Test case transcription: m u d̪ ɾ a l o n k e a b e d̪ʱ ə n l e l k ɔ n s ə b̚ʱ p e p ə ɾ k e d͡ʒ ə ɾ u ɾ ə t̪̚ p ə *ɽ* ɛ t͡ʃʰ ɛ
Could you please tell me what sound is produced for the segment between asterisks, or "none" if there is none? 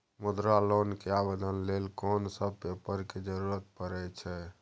ɾ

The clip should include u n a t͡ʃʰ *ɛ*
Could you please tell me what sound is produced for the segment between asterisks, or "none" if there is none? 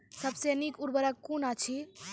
i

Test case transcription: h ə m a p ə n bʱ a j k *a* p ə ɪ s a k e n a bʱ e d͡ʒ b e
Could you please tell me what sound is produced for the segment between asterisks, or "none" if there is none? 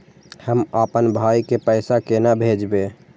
e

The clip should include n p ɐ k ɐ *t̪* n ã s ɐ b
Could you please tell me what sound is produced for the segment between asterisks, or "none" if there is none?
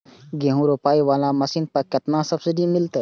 t̪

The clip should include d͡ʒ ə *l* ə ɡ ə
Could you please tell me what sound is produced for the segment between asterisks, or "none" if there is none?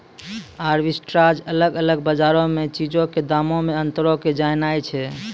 l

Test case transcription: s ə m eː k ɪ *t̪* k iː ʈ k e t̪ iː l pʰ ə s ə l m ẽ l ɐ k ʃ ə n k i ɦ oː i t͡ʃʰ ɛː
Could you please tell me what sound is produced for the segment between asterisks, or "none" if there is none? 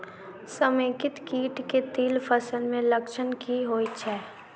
t̪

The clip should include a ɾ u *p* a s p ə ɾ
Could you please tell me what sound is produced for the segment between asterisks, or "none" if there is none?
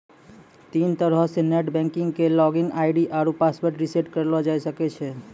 p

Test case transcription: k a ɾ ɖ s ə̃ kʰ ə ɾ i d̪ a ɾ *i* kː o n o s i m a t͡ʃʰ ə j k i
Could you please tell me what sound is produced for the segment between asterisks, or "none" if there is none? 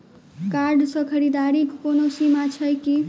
i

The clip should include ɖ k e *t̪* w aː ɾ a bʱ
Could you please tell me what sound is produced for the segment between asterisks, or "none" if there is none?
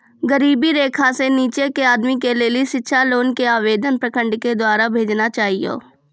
d̪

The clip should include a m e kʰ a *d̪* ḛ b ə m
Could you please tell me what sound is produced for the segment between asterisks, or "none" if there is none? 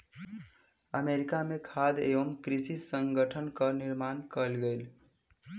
d̪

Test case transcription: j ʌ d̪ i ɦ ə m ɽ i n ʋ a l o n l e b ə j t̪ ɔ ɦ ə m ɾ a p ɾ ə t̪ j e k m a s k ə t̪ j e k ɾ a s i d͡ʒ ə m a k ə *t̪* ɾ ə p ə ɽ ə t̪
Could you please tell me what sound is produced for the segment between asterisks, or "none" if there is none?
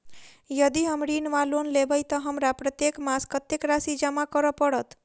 none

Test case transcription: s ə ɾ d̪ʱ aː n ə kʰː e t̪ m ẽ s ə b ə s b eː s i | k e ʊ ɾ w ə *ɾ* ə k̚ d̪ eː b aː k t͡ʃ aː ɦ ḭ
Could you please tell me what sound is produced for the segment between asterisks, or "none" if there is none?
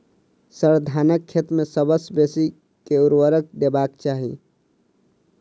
ɾ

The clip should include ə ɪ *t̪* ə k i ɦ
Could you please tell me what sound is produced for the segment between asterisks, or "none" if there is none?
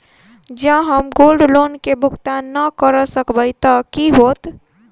t̪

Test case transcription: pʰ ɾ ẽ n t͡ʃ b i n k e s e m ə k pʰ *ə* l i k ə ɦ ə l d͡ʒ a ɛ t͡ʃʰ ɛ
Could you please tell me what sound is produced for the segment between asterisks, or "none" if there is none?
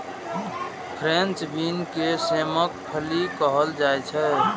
ə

